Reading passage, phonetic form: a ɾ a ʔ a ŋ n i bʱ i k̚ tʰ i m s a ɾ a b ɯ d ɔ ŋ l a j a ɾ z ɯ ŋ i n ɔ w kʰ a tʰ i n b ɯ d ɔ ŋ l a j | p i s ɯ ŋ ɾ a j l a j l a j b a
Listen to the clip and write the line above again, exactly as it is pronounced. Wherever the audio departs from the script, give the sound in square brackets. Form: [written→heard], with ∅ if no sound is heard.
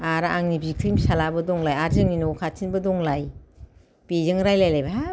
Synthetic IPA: a ɾ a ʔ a ŋ n i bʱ i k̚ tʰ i m s a [ɾ→l] a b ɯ d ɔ ŋ l a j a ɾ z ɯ ŋ i n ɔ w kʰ a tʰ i n b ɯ d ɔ ŋ l a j | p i [s→z] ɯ ŋ ɾ a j l a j l a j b a